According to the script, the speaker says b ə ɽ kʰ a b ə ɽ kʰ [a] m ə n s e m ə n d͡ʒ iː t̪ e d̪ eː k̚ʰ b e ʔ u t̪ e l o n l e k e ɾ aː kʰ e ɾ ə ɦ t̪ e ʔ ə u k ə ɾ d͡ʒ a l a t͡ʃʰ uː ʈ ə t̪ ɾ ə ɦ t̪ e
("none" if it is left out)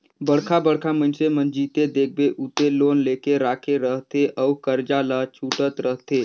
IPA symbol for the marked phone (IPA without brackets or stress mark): a